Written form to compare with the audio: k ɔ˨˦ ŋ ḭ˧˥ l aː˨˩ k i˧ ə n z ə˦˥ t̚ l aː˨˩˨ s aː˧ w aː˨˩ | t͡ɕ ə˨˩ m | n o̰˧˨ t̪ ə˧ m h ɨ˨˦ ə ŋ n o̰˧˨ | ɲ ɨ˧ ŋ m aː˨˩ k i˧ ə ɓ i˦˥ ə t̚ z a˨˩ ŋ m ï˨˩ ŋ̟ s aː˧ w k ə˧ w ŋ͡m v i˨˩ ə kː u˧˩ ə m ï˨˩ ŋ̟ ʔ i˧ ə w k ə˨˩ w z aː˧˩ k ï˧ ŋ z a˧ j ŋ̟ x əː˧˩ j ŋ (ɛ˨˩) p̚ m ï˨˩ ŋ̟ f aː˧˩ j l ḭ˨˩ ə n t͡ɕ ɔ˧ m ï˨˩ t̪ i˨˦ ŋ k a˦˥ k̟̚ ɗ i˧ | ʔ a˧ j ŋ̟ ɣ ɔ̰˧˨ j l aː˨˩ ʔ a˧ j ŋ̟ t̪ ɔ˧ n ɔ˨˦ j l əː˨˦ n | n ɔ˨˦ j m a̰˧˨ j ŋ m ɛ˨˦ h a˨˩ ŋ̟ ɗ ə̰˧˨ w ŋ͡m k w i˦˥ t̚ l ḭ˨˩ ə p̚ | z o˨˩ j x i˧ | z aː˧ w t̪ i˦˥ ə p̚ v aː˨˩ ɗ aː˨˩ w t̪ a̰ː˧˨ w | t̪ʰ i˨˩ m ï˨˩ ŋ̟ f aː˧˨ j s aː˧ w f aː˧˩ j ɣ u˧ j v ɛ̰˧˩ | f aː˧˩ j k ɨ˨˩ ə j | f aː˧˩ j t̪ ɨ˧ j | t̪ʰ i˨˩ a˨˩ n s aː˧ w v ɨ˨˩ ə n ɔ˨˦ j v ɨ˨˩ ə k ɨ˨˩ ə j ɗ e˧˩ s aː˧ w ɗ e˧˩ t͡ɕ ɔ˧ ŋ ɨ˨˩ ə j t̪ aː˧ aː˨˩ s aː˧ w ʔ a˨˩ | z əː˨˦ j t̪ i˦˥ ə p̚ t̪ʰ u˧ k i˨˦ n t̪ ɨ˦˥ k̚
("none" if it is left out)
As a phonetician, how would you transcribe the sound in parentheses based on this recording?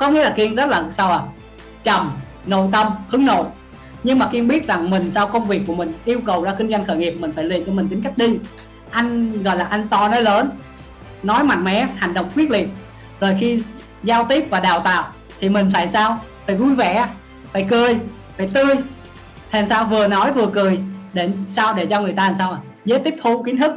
i˨˩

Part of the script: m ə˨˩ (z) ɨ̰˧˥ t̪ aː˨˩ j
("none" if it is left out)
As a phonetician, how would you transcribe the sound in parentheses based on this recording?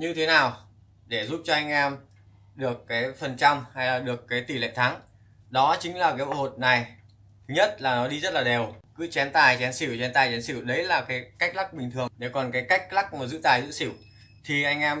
z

